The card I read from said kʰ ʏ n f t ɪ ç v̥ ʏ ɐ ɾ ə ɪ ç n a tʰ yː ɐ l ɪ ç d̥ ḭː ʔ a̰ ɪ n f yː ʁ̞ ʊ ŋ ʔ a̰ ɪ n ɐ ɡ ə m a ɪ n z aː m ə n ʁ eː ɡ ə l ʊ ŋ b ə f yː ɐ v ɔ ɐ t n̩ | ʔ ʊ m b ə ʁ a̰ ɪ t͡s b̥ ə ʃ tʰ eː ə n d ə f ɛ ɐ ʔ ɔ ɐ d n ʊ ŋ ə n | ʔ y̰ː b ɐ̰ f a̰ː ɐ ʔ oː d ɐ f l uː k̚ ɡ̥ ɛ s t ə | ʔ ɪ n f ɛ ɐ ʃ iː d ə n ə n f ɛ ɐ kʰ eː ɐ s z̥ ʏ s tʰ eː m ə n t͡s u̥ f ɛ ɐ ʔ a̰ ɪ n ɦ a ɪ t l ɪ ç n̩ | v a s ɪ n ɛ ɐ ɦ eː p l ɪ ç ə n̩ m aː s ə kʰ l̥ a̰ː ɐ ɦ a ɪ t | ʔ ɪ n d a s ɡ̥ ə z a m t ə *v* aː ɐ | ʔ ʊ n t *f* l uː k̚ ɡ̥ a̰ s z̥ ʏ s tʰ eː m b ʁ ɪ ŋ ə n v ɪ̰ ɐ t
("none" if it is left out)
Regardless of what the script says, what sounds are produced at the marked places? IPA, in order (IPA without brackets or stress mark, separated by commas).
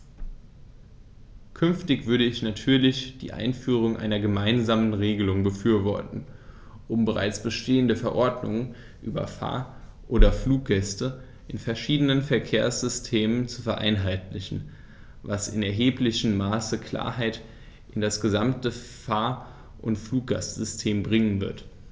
f, f